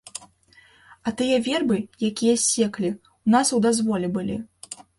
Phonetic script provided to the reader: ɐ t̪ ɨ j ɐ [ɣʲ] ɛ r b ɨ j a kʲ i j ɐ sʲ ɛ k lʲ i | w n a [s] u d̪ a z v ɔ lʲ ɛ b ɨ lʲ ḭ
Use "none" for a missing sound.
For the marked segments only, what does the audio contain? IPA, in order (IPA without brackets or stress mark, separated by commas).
vʲ, s